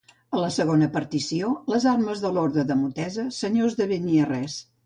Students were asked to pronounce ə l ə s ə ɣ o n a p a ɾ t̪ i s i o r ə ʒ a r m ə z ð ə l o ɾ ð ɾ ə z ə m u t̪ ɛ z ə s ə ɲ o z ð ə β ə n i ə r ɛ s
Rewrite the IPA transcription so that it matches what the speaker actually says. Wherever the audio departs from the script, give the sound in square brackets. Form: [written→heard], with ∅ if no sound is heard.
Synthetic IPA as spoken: ə l ə s ə ɣ o n [a→ə] p [a→ə] ɾ t̪ i s i o [r→l] ə [ʒ→z] a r m ə z ð ə l o ɾ ð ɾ ə [z→ð] ə m u t̪ ɛ z ə s ə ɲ o z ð ə β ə n i ə r ɛ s